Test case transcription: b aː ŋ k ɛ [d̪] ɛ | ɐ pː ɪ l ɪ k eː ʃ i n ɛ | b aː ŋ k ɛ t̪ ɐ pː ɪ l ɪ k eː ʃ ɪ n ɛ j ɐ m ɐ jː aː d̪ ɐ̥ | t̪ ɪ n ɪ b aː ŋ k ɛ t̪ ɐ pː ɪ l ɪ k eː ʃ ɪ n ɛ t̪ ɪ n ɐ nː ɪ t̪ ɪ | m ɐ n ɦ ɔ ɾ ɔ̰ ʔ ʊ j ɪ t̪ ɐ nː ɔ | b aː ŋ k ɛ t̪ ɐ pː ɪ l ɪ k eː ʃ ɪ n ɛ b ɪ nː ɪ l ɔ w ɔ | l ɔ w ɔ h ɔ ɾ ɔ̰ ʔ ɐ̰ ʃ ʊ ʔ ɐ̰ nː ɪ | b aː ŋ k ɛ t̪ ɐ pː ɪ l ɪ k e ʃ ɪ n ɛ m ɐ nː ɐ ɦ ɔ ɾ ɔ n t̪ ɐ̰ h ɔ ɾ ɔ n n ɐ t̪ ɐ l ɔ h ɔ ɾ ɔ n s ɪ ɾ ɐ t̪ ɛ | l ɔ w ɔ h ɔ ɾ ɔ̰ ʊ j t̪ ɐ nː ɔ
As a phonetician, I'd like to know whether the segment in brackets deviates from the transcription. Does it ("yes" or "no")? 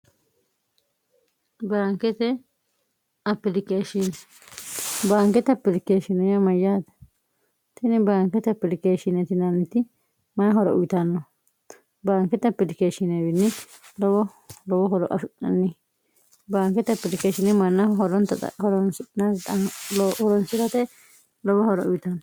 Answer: yes